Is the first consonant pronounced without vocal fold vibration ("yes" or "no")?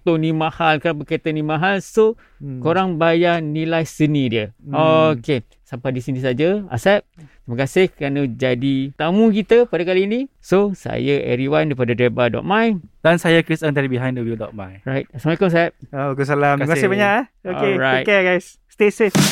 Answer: yes